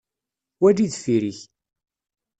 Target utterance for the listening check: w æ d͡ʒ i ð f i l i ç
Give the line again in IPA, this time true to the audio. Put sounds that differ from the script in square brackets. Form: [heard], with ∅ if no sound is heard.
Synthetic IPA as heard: w æ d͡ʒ i ð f i [ɾ] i ç